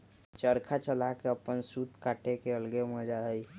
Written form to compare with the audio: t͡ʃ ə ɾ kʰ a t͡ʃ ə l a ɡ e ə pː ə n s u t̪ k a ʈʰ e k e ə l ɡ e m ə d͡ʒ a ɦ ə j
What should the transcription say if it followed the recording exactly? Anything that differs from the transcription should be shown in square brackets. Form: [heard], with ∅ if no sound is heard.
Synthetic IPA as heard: t͡ʃ ə ɾ kʰ a t͡ʃ ə l a [k] e ə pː ə n s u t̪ k a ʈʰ e k e ə l ɡ e m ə d͡ʒ a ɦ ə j